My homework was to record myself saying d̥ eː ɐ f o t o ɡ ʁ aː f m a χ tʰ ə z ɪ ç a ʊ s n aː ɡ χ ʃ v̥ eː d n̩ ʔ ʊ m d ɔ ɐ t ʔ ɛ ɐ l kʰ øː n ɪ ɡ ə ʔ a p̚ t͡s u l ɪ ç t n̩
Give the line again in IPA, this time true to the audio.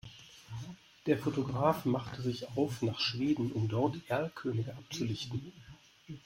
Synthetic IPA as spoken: d̥ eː ɐ f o t o ɡ ʁ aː f m a χ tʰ ə z ɪ ç a ʊ f n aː χ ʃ v̥ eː d n̩ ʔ ʊ m d ɔ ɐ t ʔ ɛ ɐ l kʰ øː n ɪ ɡ ə ʔ a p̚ t͡s u l ɪ ç t n̩

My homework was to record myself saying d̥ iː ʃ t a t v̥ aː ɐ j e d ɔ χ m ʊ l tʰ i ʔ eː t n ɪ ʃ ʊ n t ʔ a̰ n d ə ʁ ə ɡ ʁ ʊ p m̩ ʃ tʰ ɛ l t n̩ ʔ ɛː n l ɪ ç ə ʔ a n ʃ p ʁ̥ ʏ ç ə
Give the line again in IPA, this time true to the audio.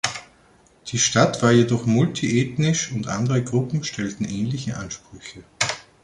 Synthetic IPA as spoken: d̥ iː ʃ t a t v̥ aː ɐ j e d ɔ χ m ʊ l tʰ i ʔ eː t n ɪ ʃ ʊ n t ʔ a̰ n d ə ʁ ə ɡ ʁ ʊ p m̩ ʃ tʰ ɛ l t n̩ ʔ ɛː n l ɪ ç ə ʔ a n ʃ p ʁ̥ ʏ ç ə

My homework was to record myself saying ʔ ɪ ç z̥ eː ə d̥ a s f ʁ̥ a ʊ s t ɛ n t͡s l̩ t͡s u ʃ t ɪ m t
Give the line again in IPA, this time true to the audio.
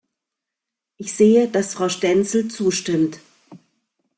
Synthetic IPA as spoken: ʔ ɪ ç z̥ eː ə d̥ a s f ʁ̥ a ʊ ʃ t ɛ n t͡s l̩ t͡s uː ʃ t ɪ m t

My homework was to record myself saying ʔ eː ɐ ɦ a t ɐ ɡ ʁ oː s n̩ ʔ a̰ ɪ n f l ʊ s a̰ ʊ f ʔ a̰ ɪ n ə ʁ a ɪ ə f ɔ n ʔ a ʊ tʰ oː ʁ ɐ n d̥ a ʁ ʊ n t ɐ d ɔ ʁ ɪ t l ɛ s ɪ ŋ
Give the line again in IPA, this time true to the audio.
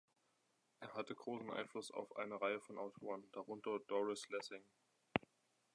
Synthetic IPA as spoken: ʔ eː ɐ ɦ a t ə ɡ ʁ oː s n̩ ʔ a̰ ɪ n f l ʊ s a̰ ʊ f ʔ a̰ ɪ n ə ʁ a ɪ ə f ɔ n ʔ a ʊ tʰ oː ʁ ə n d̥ a ʁ ʊ n t ɐ d ɔ ʁ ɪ s l ɛ s ɪ ŋ

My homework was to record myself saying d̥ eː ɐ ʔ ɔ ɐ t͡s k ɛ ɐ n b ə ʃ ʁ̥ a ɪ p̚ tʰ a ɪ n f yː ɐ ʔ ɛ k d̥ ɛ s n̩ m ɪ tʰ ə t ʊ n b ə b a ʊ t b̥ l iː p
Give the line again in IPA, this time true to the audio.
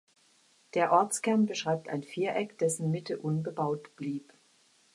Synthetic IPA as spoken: d̥ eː ɐ ʔ ɔ ɐ t͡s k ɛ ɐ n b ə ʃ ʁ̥ a ɪ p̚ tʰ a ɪ n f iː ɐ ʔ ɛ k d̥ ɛ s n̩ m ɪ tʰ ə ʔ ʊ n b ə b a ʊ t b̥ l iː p

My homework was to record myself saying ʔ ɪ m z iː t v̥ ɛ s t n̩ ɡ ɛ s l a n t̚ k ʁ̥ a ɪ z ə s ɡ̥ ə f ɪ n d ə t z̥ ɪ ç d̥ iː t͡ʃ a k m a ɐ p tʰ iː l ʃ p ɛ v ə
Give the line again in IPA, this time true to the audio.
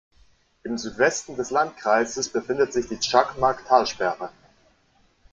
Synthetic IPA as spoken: ʔ ɪ m z yː t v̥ ɛ s t n̩ d ɛ s l a n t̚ k ʁ̥ a ɪ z ə s b̥ ə f ɪ n d ə t z̥ ɪ ç d̥ iː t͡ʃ a k m a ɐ k tʰ aː l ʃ p ɛ ʁ ə

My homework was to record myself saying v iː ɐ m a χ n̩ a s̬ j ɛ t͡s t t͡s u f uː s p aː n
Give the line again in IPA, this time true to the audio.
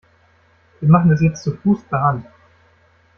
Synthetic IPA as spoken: v iː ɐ m a χ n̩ ɛ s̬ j ɛ t͡s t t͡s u f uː s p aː n

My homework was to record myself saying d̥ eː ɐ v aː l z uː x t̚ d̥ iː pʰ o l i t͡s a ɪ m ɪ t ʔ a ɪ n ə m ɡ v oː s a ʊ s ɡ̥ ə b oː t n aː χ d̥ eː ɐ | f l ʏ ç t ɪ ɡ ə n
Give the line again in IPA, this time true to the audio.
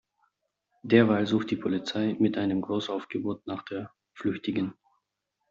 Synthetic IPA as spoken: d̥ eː ɐ v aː l z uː x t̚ d̥ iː pʰ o l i t͡s a ɪ m ɪ t ʔ a ɪ n ə m ɡ ʁ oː s a ʊ f ɡ̥ ə b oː t n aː χ d̥ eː ɐ | f l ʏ ç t ɪ ɡ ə n

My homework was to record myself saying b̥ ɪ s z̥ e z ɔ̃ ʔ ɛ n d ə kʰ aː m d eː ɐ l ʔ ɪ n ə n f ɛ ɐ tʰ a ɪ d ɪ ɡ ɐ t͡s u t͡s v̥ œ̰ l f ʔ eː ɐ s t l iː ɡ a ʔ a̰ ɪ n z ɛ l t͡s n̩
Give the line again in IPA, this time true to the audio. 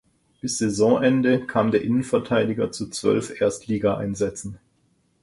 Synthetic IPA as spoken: b̥ ɪ s z̥ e z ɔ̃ ʔ ɛ n d ə kʰ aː m d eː ɐ ʔ ɪ n ə n f ɛ ɐ tʰ a ɪ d ɪ ɡ ɐ t͡s u t͡s v̥ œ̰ l f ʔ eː ɐ s t l iː ɡ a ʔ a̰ ɪ n z ɛ t͡s n̩

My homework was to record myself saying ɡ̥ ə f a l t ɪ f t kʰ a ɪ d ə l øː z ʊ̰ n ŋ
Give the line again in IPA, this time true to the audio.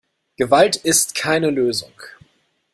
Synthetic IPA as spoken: ɡ̥ ə v a l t ɪ s t kʰ a ɪ n ə l øː z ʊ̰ ŋ

